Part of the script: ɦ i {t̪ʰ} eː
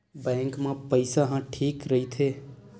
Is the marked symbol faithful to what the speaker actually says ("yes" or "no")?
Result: yes